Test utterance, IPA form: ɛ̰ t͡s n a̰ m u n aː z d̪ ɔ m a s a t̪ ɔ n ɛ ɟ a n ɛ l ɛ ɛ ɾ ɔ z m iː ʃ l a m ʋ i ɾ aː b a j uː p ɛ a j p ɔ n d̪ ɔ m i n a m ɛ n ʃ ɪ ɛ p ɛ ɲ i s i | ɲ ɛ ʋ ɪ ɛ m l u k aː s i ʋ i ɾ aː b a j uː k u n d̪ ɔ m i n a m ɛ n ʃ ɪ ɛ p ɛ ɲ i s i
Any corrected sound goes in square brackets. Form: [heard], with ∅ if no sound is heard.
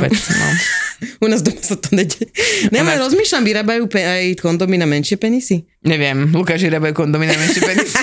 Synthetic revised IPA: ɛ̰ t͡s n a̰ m u n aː z d̪ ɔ m a s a t̪ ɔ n ɛ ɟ [ɛ] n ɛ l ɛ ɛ ɾ ɔ z m iː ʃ l a m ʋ i ɾ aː b a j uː p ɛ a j [k] ɔ n d̪ ɔ m i n a m ɛ n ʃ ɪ ɛ p ɛ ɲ i s i | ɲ ɛ ʋ ɪ ɛ m l u k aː [ʃ] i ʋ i ɾ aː b a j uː k [ɔ] n d̪ ɔ m i n a m ɛ n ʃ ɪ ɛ p ɛ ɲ i s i